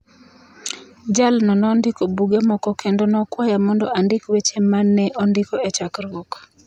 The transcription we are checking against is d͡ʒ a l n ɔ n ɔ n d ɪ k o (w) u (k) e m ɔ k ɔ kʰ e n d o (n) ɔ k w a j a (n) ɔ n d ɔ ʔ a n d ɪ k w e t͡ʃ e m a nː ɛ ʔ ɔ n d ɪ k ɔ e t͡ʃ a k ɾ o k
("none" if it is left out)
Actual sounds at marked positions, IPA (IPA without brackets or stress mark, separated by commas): b, ɡ, n, m